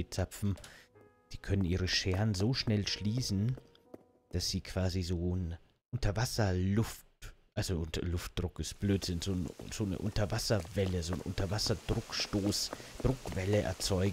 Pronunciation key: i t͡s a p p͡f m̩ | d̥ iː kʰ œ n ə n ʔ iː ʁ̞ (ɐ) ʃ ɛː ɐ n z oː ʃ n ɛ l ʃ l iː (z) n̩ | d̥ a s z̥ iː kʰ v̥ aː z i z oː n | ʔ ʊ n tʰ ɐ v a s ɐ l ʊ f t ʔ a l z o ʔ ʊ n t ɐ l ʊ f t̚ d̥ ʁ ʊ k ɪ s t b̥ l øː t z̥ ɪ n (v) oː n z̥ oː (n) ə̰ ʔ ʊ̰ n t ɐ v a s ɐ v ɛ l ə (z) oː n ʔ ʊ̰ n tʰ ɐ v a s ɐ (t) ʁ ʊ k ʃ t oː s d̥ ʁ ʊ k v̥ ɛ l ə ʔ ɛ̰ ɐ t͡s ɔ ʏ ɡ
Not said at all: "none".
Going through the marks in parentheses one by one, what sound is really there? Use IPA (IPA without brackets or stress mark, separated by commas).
ə, s, z, n, z, d